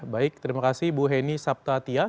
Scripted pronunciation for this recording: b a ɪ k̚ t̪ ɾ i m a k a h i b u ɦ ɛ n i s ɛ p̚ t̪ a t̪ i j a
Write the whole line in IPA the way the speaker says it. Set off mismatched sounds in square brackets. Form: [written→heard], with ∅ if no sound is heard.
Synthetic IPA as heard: b a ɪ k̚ t̪ ɾ i m a k a [h→s] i b u ɦ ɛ n i s [ɛ→a] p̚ t̪ a t̪ i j a

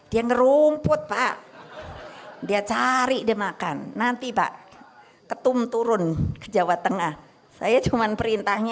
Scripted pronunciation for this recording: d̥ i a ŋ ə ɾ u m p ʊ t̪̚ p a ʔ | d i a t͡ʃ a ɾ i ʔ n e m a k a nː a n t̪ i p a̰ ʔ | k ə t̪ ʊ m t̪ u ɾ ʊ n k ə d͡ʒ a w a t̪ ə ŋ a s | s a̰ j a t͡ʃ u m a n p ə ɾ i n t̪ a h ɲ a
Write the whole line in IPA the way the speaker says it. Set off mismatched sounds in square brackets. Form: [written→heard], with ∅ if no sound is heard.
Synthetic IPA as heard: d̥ i a ŋ ə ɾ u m p ʊ t̪̚ p a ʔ | d i a t͡ʃ a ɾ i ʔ [n→d] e m a k a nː a n t̪ i p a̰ ʔ | k ə t̪ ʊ m t̪ u ɾ ʊ n k ə d͡ʒ a w a t̪ ə ŋ a [s→h] | s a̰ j a t͡ʃ u m a n p ə ɾ i n t̪ a h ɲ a

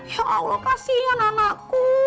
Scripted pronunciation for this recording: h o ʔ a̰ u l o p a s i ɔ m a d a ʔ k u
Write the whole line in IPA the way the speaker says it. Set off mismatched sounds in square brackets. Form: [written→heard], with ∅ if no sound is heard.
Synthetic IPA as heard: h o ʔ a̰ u l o [p→k] a s i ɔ [m→n] a [d→n] a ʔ k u

